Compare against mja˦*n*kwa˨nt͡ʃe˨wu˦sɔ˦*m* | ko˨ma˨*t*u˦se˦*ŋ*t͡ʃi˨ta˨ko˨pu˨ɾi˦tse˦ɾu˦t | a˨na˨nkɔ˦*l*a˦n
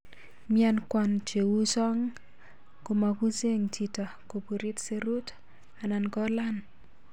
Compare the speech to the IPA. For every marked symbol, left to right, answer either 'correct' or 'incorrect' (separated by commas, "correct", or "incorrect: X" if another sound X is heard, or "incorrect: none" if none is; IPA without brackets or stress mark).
correct, incorrect: ŋ, incorrect: k, correct, correct